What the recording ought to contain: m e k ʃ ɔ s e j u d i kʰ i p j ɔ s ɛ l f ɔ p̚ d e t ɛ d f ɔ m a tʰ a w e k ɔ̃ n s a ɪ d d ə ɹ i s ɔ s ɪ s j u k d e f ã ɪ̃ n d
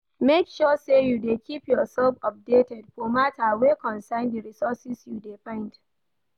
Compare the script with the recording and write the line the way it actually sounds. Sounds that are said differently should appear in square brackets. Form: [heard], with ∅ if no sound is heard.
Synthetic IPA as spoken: m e k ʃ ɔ s e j u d [e] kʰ i p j ɔ s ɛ l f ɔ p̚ d e t ɛ d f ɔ m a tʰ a w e k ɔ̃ n s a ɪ [n] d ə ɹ i s ɔ s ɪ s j u [∅] d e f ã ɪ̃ n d